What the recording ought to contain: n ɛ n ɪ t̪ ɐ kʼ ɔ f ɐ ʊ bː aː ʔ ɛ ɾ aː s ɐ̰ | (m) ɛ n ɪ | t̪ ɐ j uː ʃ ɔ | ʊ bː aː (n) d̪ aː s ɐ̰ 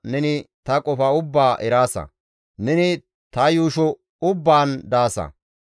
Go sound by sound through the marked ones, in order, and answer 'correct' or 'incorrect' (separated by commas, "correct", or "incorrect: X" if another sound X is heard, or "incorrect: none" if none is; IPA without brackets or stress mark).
incorrect: n, correct